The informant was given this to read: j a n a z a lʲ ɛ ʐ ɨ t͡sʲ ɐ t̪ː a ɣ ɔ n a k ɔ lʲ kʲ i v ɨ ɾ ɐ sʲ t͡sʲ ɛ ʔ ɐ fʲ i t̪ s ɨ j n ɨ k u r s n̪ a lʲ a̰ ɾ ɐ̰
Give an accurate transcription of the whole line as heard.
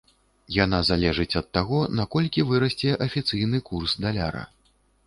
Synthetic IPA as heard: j a n a z a lʲ ɛ ʐ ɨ t͡sʲ ɐ t̪ː a ɣ ɔ n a k ɔ lʲ kʲ i v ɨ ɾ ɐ sʲ t͡sʲ ɛ ʔ ɐ fʲ i t̪ s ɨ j n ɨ k u r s d̪ a lʲ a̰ ɾ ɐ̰

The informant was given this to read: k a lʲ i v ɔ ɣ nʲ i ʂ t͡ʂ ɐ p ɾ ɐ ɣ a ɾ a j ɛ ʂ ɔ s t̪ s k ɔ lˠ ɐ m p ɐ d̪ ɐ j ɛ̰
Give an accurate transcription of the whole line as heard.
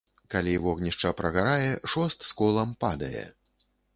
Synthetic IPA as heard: k a lʲ i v ɔ ɣ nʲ i ʂ t͡ʂ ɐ p ɾ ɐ ɣ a ɾ a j ɛ ʂ ɔ s t̪ s k ɔ lˠ ɐ m p a d̪ ɐ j ɛ̰

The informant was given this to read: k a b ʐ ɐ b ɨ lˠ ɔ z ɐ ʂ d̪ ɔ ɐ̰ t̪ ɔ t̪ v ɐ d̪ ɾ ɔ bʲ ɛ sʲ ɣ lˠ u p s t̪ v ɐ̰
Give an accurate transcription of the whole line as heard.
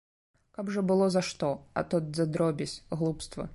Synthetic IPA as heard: k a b ʐ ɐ b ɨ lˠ ɔ z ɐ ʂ t̪ ɔ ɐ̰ t̪ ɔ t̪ z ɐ d̪ ɾ ɔ bʲ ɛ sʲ ɣ lˠ u p s t̪ v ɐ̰

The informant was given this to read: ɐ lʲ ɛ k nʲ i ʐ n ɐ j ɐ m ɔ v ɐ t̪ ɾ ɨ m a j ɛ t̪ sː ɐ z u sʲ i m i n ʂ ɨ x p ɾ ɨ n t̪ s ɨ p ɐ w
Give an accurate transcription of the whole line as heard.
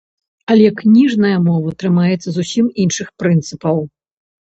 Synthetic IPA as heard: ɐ lʲ ɛ k nʲ i ʐ n ɐ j ɐ m ɔ v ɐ t̪ ɾ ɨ m a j ɛ t̪ sː ɐ z u sʲ i m i n ʂ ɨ x p ɾ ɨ n t̪ s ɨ p ɐ w

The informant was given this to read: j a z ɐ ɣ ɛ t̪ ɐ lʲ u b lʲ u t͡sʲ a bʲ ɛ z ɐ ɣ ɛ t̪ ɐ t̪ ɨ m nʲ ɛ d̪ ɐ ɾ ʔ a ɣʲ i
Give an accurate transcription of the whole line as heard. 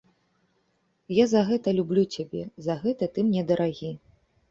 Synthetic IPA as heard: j a z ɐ ɣ ɛ t̪ ɐ lʲ u b lʲ u t͡sʲ a bʲ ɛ z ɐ ɣ ɛ t̪ ɐ t̪ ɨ m nʲ ɛ d̪ ɐ ɾ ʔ a ɣʲ i

